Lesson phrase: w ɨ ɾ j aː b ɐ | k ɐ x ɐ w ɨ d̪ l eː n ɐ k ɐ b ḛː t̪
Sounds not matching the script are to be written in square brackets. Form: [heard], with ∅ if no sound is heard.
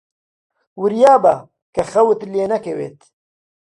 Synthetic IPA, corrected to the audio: w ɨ ɾ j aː b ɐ | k ɐ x ɐ w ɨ [t̪] l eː n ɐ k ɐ [w] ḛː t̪